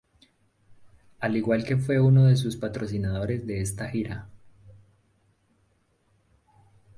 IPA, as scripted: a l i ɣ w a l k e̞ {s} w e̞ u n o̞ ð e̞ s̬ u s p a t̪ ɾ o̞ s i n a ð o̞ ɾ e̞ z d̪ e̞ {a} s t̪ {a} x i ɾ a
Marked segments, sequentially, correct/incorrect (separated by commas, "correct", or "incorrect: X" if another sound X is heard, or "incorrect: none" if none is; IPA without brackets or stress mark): incorrect: f, incorrect: e, correct